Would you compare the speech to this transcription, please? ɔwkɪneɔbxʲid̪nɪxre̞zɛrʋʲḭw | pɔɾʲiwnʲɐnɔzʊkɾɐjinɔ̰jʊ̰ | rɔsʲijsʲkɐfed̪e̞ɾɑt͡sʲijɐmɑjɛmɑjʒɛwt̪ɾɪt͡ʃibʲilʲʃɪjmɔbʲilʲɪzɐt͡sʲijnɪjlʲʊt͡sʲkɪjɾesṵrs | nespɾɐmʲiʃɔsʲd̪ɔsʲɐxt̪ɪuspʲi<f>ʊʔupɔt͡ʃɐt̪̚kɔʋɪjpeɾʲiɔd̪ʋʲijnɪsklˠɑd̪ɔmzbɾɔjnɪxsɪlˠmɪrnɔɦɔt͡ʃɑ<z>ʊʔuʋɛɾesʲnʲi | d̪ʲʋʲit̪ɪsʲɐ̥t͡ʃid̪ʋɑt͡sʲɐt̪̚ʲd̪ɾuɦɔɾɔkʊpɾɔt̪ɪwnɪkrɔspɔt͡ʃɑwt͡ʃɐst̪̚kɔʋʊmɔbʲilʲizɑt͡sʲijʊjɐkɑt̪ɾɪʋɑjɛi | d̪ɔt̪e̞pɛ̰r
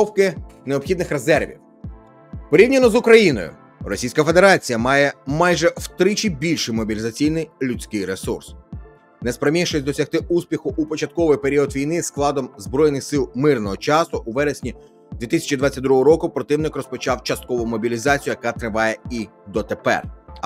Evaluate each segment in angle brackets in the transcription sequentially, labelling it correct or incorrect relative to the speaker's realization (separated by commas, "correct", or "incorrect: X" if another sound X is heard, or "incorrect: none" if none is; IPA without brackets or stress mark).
incorrect: x, incorrect: s